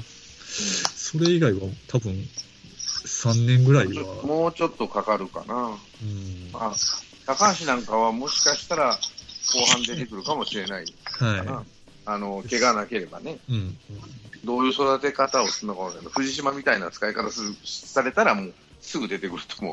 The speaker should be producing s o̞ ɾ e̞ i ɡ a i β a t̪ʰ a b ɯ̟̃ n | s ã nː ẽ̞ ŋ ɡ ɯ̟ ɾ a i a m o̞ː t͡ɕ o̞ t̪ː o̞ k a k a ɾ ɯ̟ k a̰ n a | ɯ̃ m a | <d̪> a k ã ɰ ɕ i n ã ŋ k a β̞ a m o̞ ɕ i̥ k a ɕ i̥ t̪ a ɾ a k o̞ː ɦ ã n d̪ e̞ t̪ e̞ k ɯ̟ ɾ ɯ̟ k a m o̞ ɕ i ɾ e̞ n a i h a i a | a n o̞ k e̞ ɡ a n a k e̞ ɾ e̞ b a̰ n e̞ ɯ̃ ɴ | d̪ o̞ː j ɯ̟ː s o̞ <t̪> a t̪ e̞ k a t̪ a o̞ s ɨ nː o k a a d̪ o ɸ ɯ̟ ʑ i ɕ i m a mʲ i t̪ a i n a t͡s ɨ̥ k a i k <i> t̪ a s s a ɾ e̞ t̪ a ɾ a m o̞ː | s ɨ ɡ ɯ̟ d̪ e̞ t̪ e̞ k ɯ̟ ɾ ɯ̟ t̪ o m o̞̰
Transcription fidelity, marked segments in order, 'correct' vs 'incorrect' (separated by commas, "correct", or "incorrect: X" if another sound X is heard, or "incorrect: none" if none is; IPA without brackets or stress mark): incorrect: t̪, incorrect: d̪, incorrect: a